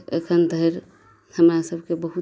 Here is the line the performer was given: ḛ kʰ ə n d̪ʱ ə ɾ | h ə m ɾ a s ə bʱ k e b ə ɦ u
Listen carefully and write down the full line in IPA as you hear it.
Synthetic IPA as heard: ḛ kʰ ə n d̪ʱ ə ɾ | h ə m ɾ a s ə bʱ k e b ə ɦ u